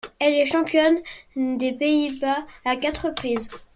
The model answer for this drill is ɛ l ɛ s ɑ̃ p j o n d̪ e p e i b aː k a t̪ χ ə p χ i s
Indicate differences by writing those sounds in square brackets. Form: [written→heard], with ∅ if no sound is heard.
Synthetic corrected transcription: ɛ l ɛ [s→ʃ] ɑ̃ p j [o→ɔ] n d̪ e p e i b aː k a t̪ χ ə p χ i [s→z]